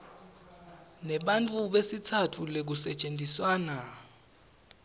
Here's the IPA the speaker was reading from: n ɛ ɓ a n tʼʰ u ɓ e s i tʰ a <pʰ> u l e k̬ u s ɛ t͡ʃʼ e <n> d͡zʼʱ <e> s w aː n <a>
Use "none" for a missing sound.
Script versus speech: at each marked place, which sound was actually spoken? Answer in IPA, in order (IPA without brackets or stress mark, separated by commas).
tʰ, n, i, a